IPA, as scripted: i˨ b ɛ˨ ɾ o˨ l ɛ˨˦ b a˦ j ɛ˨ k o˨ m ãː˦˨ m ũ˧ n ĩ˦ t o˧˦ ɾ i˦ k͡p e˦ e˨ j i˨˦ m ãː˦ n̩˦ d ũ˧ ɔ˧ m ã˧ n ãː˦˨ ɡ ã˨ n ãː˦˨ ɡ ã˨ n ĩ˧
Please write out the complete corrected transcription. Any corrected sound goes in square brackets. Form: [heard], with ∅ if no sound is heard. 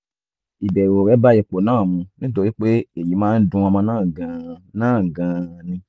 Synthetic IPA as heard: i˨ b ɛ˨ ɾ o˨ [ɾ] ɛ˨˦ b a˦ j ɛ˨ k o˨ [n] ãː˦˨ m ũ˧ n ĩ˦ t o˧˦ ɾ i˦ k͡p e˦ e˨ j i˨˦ m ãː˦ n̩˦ d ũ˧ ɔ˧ m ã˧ n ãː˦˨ ɡ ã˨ n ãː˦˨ ɡ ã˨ n ĩ˧